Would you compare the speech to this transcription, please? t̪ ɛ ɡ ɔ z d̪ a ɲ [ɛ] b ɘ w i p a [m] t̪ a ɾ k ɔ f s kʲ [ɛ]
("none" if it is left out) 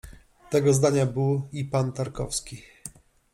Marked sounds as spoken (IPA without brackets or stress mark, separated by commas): a, n, i